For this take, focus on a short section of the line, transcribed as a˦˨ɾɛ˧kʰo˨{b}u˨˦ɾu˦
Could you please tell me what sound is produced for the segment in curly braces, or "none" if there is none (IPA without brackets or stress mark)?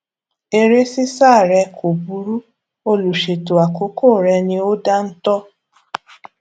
b